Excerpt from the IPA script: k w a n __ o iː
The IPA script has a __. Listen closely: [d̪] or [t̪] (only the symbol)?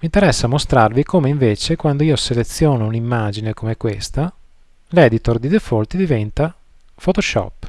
d̪